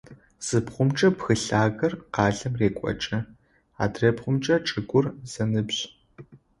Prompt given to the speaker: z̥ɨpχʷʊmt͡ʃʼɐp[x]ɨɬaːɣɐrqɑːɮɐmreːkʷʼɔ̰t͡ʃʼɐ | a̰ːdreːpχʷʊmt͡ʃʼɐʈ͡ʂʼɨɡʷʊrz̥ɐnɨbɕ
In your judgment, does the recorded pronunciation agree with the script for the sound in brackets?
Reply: yes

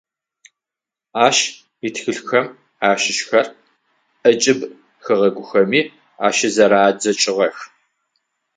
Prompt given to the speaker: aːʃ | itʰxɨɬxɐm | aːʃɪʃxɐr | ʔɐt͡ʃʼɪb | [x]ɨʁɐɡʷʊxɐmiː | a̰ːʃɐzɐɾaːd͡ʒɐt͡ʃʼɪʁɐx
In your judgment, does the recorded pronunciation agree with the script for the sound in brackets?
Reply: yes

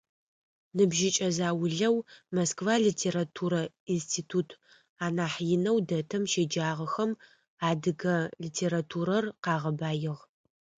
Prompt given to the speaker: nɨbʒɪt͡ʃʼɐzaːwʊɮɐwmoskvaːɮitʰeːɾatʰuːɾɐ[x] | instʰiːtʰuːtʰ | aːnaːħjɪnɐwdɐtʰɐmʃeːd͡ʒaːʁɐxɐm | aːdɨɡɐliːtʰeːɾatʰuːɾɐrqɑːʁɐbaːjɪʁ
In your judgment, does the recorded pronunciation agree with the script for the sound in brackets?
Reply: no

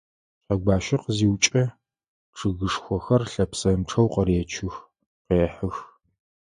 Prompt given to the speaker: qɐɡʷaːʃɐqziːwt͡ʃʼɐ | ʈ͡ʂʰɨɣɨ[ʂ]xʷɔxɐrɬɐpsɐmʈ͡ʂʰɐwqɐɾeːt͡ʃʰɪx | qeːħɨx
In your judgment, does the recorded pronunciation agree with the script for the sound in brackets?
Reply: yes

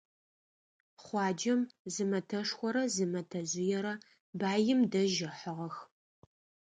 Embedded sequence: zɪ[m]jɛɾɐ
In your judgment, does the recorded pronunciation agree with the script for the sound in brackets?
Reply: no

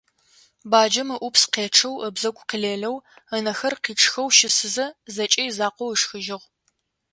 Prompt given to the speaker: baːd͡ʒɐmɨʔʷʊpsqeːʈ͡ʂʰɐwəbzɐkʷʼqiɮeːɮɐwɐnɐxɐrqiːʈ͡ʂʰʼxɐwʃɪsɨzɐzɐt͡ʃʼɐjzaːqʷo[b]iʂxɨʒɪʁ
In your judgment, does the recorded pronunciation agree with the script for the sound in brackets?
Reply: no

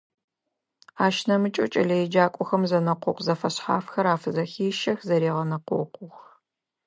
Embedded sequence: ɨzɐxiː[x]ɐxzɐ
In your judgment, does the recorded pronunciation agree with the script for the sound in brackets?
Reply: no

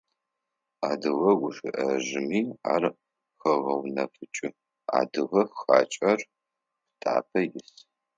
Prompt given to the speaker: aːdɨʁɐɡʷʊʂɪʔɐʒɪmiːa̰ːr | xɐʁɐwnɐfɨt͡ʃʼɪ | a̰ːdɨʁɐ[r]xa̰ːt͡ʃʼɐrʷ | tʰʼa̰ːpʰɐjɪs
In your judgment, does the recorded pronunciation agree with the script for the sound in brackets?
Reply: no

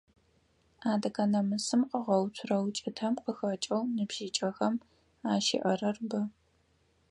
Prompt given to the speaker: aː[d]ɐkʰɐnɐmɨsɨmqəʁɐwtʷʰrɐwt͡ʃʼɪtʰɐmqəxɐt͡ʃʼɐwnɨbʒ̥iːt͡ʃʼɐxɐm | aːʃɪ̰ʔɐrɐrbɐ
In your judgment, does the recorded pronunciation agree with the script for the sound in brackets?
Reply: yes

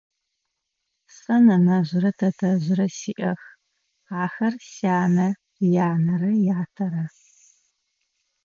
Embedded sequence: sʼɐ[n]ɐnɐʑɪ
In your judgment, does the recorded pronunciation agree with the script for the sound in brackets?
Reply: yes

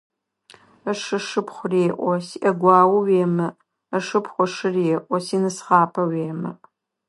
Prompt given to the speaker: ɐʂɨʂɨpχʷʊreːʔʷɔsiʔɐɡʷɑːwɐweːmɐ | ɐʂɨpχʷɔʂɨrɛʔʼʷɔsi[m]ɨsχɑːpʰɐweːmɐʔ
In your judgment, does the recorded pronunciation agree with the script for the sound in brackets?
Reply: no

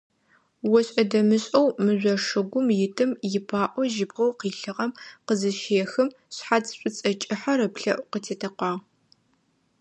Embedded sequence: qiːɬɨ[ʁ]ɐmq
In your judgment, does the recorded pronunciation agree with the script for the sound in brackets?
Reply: yes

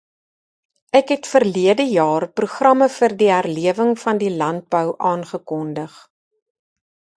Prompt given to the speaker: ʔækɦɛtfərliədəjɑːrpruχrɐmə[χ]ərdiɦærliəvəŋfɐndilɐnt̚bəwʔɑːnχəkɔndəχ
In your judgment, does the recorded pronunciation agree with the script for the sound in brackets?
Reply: no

